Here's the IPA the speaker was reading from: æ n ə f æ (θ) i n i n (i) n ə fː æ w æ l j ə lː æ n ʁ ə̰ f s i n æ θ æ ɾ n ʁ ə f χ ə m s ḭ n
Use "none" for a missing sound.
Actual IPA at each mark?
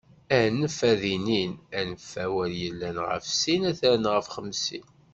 ð, æ

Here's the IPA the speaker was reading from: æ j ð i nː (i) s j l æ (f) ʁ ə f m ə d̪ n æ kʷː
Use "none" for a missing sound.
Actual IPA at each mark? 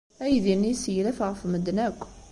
i, f

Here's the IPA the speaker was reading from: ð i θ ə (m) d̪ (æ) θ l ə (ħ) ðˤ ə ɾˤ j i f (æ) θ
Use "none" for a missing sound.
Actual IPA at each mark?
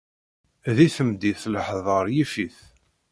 m, i, ħ, i

